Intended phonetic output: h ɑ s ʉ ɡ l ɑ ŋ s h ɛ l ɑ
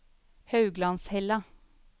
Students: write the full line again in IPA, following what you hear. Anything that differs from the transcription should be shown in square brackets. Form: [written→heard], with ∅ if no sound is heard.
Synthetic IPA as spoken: h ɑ [s→∅] ʉ ɡ l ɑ [ŋ→n] s h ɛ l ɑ